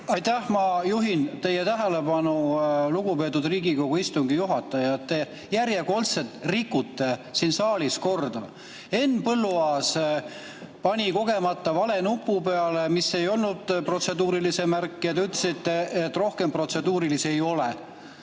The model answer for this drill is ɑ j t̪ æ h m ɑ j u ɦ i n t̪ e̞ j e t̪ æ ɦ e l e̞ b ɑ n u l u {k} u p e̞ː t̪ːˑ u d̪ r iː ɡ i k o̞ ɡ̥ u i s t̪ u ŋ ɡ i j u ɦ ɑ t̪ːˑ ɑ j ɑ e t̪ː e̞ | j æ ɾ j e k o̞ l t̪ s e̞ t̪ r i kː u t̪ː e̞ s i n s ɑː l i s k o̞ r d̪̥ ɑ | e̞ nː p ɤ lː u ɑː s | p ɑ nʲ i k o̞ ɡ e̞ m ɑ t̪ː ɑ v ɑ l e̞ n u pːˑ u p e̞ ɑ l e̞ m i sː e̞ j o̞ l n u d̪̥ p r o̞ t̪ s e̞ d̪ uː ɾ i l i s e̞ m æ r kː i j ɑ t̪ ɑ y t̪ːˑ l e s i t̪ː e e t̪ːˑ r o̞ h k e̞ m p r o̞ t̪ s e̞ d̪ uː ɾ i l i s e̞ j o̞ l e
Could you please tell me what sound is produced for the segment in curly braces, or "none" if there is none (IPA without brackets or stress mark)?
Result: ɡ